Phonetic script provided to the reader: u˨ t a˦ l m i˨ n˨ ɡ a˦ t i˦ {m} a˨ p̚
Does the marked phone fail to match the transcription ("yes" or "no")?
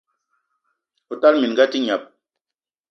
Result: yes